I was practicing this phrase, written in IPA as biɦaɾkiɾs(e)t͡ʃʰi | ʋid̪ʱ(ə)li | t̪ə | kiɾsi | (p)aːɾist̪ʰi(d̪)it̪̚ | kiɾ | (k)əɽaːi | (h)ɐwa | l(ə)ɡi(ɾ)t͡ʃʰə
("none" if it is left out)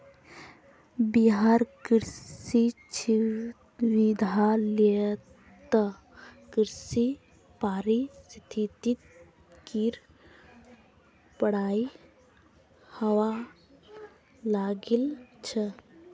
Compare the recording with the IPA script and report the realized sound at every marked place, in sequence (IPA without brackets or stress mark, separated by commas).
i, a, p, t̪, p, h, a, l